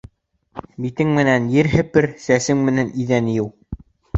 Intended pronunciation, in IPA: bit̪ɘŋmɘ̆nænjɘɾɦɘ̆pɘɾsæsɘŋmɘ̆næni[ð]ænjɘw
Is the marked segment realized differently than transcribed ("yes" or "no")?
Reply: no